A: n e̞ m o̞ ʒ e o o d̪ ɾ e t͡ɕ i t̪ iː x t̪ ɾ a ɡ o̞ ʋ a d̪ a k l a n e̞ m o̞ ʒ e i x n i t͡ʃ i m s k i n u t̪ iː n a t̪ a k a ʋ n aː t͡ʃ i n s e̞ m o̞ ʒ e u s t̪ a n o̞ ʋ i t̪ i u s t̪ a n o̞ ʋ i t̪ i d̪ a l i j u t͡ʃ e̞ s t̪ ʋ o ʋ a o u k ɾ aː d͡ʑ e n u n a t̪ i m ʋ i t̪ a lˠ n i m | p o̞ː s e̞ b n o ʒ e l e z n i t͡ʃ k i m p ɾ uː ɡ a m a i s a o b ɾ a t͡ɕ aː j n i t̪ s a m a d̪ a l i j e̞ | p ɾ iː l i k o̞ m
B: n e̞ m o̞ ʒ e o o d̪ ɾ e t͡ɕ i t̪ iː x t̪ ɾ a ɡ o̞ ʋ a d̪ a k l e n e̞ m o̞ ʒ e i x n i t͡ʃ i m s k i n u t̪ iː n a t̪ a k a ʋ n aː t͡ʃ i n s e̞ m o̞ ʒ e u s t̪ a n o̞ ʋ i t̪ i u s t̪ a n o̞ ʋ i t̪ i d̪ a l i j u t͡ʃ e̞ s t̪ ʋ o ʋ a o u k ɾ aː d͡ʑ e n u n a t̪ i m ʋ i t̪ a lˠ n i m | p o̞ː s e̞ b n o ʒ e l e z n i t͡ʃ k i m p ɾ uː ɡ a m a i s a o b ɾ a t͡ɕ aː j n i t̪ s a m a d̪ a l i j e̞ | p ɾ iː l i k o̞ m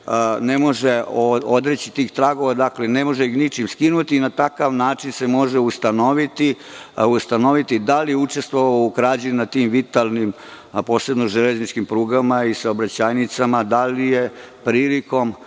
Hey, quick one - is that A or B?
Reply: B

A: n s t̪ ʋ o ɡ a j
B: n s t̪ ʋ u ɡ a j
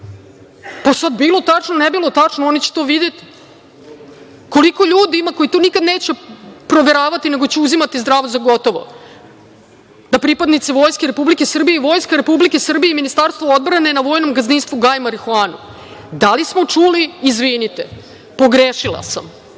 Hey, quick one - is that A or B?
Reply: B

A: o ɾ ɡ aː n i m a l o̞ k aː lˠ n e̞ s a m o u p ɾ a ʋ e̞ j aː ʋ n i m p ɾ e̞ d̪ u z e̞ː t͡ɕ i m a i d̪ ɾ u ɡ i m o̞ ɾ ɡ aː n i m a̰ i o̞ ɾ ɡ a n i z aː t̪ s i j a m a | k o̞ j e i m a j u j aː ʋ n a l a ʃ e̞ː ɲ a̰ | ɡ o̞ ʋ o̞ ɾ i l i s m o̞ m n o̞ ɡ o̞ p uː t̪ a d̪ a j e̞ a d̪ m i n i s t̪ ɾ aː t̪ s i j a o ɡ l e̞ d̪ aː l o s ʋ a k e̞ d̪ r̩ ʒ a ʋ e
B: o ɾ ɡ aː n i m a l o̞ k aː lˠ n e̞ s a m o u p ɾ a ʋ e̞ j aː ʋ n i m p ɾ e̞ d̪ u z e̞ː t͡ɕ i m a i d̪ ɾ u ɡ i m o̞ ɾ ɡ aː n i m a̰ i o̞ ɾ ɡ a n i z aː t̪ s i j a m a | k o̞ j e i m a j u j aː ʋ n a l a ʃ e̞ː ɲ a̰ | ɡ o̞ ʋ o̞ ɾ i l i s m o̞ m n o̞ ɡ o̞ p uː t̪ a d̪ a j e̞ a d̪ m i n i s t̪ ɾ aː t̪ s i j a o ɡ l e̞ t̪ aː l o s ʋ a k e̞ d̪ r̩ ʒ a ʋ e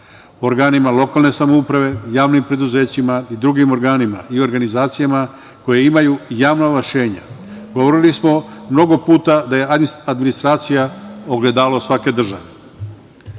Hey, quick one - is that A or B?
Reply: A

